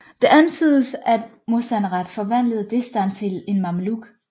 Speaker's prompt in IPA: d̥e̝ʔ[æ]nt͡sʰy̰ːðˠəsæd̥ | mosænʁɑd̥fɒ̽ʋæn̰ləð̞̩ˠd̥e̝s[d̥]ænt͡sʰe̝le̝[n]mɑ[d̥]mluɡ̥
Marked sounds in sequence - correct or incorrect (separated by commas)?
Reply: correct, correct, correct, incorrect